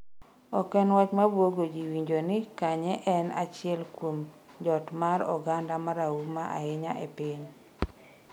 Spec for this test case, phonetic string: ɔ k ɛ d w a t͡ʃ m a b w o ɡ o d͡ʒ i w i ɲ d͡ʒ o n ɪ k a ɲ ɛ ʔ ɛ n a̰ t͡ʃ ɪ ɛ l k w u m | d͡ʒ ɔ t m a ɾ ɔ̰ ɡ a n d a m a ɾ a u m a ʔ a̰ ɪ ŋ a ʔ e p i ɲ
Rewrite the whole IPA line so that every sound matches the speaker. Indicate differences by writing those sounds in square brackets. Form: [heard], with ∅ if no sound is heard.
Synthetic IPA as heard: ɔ k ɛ [n] w a t͡ʃ m a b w o ɡ o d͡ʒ i w i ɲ d͡ʒ o n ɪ k a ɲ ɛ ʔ ɛ n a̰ t͡ʃ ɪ ɛ l k w [o] m | d͡ʒ ɔ t m a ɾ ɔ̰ ɡ a n d a m a ɾ a u m a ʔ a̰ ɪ [ɲ] a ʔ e p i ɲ